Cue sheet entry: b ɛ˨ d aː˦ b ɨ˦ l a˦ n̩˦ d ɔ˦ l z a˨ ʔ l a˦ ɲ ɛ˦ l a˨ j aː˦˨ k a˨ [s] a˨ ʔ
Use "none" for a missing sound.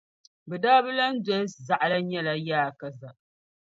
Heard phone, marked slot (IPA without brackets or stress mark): z